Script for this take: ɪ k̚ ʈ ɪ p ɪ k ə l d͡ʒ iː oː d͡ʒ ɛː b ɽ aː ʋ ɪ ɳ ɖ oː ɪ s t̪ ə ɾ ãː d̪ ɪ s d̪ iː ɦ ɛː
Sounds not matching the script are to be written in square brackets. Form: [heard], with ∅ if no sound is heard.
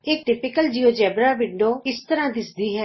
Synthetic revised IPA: ɪ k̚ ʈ ɪ p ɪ k ə l d͡ʒ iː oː d͡ʒ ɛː b [ɾ] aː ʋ ɪ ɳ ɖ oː ɪ s t̪ ə ɾ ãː d̪ ɪ s d̪ iː ɦ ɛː